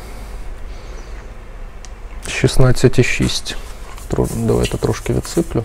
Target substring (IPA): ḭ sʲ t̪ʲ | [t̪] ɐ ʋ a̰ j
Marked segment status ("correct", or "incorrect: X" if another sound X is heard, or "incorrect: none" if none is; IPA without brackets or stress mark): incorrect: d̪